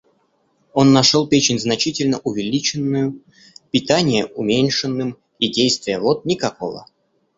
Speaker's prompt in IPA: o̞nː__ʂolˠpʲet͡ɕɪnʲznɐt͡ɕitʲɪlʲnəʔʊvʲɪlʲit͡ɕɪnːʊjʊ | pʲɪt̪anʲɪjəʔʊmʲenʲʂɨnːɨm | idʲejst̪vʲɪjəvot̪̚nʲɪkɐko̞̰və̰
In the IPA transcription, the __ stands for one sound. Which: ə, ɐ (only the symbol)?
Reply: ɐ